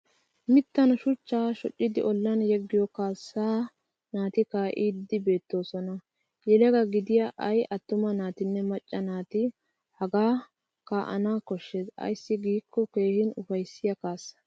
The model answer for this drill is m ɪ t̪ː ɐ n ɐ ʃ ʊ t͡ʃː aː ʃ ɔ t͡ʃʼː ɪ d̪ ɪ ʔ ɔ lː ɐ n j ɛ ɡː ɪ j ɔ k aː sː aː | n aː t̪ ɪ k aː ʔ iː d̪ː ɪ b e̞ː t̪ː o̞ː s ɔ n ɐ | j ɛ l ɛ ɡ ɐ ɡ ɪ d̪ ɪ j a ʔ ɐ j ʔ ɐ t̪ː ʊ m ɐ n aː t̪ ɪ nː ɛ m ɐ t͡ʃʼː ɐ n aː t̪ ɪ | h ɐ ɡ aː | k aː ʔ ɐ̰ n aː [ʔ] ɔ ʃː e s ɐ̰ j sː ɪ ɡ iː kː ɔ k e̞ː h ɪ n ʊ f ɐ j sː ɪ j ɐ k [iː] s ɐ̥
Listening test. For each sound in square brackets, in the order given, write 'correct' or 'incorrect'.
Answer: incorrect: k, incorrect: aː

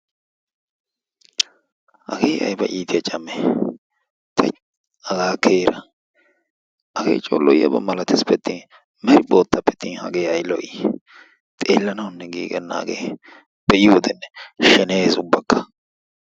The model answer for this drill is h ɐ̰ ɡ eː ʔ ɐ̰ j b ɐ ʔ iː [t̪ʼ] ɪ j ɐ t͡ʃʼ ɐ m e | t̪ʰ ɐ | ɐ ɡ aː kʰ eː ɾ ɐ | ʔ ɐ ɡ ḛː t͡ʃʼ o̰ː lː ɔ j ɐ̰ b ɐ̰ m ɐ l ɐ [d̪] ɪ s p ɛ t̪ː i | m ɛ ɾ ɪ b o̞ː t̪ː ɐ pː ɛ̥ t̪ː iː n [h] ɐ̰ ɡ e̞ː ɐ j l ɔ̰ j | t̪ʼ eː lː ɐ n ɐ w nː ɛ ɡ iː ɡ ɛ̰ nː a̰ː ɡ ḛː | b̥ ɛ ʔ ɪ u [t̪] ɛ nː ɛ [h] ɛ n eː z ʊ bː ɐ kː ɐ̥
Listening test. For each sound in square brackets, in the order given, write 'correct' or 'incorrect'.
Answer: incorrect: t̪, incorrect: t̪, correct, incorrect: d̪, incorrect: ʃ

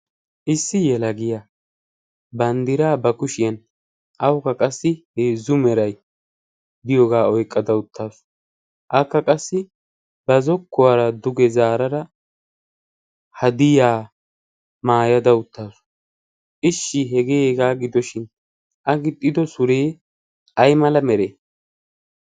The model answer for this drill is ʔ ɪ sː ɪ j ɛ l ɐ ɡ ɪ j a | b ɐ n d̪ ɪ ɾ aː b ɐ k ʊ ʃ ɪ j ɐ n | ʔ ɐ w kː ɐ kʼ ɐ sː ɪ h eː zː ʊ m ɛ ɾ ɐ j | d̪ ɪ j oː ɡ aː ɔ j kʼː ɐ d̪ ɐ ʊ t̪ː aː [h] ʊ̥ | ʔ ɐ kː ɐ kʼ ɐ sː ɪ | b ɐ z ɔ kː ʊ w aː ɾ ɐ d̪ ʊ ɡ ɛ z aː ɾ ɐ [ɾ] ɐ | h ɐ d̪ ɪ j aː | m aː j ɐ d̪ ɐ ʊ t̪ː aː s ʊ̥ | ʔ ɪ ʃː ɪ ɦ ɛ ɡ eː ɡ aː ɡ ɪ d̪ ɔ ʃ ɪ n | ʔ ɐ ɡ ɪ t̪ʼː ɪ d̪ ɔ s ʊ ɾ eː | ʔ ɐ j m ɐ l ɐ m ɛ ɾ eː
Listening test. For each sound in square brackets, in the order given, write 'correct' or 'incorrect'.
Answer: incorrect: s, correct

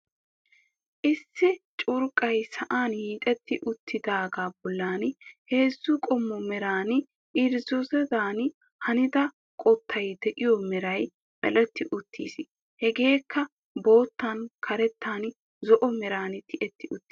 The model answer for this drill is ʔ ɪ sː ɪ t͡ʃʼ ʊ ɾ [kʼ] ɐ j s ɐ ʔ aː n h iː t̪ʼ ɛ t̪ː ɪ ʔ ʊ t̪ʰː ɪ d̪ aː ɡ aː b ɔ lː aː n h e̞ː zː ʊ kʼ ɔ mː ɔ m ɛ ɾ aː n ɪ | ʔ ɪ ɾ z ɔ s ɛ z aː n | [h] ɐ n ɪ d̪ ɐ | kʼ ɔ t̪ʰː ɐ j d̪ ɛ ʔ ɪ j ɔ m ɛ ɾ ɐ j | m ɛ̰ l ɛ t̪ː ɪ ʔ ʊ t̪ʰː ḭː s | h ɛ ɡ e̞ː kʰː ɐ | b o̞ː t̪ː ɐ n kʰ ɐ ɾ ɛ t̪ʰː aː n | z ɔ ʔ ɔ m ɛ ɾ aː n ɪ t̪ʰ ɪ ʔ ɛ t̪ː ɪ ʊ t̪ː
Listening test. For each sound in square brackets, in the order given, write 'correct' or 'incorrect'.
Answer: correct, correct

